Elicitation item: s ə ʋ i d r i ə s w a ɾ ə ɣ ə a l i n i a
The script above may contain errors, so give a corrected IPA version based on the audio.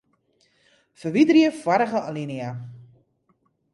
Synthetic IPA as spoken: f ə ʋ i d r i ə f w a ɾ ə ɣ ə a l i n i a